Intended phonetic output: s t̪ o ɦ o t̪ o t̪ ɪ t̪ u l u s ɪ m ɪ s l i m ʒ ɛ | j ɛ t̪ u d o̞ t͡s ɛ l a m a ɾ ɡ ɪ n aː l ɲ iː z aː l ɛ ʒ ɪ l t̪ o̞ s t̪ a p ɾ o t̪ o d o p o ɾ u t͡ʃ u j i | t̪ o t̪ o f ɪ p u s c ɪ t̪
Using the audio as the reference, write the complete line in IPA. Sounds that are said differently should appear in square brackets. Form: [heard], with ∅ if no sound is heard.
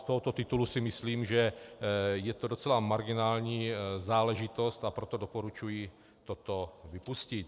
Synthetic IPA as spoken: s t̪ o ɦ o t̪ o t̪ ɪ t̪ u l u s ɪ m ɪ s l [iː] m ʒ ɛ | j ɛ t̪ [o] d o̞ t͡s ɛ l a m a ɾ ɡ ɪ n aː l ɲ iː z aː l ɛ ʒ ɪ [∅] t̪ o̞ s t̪ a p ɾ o t̪ o d o p o ɾ u t͡ʃ u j i | t̪ o t̪ o [v] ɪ p u s c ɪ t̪